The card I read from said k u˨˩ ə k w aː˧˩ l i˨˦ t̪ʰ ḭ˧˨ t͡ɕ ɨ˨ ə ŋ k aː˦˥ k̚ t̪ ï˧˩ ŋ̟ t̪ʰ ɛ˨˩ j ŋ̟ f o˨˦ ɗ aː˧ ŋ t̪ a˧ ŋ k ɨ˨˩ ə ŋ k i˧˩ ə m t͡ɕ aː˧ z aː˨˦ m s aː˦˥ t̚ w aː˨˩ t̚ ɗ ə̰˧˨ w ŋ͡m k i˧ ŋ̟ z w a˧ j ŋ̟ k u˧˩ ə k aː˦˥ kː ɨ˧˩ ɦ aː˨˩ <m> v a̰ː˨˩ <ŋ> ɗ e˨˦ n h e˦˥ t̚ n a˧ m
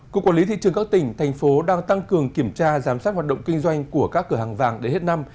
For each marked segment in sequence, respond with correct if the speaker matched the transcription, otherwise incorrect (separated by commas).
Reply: incorrect, correct